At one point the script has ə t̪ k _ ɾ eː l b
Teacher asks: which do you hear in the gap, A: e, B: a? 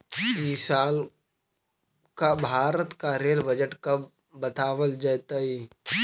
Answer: B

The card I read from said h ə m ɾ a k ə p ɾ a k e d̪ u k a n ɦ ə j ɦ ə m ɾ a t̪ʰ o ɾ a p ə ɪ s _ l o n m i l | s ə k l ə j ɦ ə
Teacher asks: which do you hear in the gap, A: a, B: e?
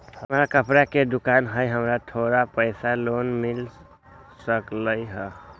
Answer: A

